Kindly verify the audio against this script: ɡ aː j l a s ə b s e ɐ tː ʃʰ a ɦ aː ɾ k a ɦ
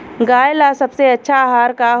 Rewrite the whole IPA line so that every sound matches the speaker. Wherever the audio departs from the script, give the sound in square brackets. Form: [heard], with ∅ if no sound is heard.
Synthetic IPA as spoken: ɡ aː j l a s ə b s e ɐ tː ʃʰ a ɦ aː ɾ k a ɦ